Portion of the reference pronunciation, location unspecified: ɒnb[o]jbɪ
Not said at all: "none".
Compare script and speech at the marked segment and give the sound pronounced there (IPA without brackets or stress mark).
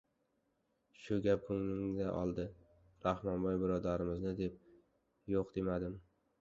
ɒ